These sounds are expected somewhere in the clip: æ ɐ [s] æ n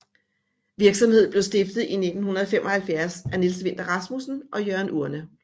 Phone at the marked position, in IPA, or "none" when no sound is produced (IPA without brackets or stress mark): s